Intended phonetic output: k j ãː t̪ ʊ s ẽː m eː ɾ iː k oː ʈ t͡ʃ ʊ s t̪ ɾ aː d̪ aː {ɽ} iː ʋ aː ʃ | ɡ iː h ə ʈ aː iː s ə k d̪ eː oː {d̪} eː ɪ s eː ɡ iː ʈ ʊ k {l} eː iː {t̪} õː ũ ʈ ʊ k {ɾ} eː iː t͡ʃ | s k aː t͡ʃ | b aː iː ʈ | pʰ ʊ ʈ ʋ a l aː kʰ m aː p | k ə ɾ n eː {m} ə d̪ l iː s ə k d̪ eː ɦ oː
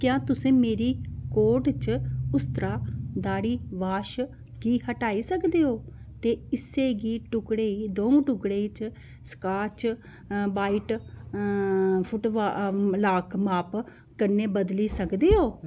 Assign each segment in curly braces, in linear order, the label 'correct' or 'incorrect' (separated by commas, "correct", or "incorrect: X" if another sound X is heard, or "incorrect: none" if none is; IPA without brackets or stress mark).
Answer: correct, incorrect: t̪, incorrect: ɽ, incorrect: d̪, incorrect: ɽ, incorrect: b